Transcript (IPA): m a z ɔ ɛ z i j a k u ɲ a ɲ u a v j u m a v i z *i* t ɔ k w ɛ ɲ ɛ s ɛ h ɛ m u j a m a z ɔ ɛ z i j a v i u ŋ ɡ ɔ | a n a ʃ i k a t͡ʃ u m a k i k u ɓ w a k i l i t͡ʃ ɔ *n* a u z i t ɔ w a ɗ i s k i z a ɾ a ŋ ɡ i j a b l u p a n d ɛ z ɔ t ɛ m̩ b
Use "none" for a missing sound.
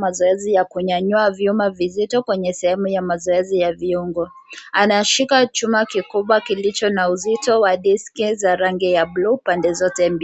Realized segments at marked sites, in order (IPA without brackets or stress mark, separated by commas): i, n